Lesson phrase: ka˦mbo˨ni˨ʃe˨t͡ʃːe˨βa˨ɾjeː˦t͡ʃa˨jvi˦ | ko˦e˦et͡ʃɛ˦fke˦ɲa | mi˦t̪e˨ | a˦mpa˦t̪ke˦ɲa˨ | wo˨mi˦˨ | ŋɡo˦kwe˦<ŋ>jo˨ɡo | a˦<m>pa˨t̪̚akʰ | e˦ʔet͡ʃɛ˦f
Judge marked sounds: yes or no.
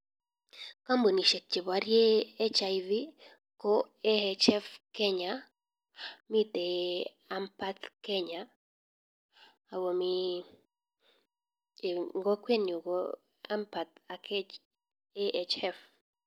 no, yes

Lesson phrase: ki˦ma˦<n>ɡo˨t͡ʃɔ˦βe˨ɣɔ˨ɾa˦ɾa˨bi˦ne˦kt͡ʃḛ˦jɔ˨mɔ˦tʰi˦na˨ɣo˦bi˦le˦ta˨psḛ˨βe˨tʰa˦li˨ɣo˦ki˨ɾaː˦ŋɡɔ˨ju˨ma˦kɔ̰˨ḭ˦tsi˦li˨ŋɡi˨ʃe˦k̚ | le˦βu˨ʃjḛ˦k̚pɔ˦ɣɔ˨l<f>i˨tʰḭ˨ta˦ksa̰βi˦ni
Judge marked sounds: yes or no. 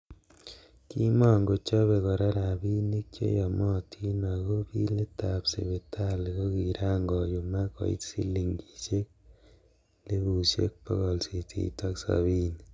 no, no

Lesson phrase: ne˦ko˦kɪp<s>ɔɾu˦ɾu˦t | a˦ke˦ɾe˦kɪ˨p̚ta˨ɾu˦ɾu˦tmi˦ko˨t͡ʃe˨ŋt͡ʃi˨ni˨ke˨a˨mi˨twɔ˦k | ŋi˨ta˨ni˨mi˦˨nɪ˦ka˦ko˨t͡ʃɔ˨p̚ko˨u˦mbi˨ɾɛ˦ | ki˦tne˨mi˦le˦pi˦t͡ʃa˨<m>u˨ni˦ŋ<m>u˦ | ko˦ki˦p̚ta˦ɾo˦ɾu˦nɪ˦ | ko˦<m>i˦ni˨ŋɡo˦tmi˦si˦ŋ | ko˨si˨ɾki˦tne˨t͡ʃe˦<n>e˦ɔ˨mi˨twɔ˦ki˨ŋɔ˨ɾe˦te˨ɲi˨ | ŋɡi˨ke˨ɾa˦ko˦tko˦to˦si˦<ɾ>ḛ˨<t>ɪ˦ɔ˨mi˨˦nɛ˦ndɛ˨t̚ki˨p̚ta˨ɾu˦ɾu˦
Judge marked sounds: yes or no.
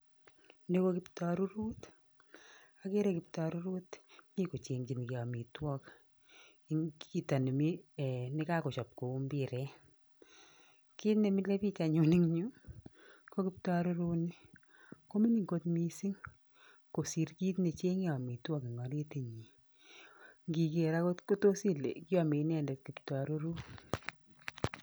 no, no, no, yes, no, no, no

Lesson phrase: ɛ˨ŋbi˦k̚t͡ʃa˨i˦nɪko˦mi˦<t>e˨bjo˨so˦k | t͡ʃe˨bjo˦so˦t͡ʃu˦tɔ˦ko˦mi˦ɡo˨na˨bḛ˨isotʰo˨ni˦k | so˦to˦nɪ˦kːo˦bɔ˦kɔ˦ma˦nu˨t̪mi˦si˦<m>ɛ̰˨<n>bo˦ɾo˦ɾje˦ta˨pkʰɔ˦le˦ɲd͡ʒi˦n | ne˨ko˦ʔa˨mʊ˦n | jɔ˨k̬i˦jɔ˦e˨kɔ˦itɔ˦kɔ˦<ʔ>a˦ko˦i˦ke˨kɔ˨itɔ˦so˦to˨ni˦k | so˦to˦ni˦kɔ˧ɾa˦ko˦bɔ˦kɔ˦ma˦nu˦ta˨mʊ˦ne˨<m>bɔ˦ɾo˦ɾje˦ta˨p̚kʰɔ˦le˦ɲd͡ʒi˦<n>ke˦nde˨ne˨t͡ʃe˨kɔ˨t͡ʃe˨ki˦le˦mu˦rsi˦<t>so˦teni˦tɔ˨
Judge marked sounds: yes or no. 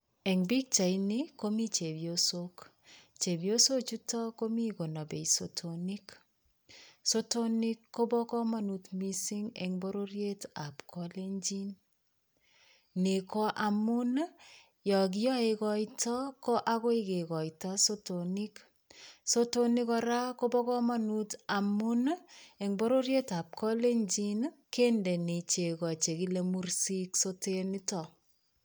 no, no, no, yes, no, yes, no

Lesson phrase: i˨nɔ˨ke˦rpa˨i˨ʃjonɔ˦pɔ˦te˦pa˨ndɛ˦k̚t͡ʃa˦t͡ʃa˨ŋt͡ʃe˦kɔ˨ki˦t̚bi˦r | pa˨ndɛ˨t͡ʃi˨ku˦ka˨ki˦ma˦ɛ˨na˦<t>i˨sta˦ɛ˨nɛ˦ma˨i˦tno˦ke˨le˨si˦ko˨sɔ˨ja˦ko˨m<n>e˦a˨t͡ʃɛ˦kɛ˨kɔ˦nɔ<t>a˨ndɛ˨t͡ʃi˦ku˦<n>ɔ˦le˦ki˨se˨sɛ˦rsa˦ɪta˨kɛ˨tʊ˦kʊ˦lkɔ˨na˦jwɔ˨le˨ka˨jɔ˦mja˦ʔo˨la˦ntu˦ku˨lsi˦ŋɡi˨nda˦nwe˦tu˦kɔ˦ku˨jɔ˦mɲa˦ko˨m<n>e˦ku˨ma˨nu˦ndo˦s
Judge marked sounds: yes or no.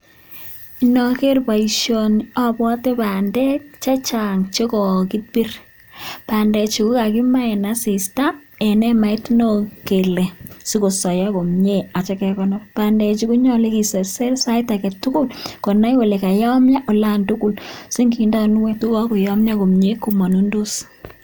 no, no, no, no, no

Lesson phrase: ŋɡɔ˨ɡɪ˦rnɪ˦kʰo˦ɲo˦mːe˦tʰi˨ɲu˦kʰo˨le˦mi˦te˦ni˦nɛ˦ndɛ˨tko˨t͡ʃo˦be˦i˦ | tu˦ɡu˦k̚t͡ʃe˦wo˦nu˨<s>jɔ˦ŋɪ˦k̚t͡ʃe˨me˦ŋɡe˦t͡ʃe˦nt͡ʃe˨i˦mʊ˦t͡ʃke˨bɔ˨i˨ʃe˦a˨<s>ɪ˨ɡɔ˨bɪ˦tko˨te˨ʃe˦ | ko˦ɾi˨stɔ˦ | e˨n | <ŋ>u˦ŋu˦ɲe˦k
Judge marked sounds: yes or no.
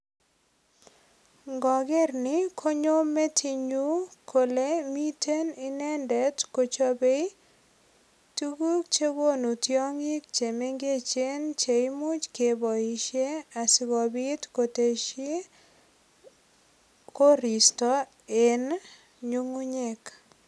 no, yes, no

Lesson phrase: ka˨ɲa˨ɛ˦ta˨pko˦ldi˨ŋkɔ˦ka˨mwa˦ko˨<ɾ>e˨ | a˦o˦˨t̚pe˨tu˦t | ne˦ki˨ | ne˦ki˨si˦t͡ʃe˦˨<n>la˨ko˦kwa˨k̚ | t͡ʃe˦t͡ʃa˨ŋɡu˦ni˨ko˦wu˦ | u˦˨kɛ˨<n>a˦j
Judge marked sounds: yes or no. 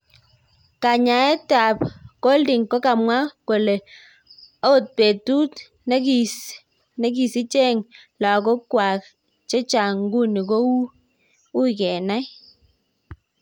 no, no, yes

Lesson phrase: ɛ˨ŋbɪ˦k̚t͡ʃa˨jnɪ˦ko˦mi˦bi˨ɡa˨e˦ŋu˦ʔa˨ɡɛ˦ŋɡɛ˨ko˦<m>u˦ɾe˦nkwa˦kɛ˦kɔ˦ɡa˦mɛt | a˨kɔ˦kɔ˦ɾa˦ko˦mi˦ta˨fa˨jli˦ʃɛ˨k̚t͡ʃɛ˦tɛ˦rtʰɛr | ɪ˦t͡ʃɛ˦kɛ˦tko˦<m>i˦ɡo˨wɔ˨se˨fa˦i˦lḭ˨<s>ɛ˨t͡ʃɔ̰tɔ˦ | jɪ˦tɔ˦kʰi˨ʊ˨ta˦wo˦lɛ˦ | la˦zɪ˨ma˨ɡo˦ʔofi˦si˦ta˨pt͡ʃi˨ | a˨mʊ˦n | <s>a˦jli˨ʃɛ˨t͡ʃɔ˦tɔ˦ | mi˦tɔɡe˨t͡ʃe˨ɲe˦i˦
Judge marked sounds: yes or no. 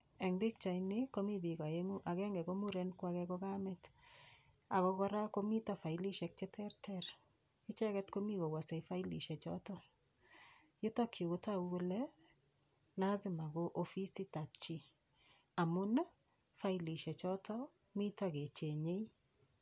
yes, yes, no, no

